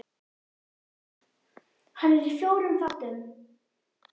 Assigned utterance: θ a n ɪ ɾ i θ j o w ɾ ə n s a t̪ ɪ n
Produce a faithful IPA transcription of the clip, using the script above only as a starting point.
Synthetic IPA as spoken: h a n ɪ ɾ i f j o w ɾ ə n f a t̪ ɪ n